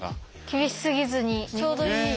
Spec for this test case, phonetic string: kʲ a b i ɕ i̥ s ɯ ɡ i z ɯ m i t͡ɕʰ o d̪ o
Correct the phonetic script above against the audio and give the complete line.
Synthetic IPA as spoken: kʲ i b i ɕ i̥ s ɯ ɡ i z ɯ ɲ i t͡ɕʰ o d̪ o